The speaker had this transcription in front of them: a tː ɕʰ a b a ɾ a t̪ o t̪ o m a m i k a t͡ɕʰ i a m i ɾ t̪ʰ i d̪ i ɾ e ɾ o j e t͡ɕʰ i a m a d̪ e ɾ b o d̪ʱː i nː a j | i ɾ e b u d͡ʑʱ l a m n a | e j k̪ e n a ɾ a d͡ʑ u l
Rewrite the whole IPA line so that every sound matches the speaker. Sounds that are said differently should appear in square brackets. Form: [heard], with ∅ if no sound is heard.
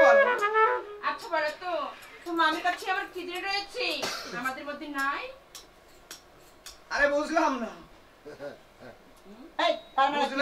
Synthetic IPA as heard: a tː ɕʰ a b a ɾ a t̪ o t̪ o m a m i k a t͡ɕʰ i a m [a] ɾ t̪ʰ i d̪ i ɾ e ɾ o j e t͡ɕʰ i a m a d̪ e ɾ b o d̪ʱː i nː a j | [a] ɾ e b u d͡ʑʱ l a m n a | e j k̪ [a] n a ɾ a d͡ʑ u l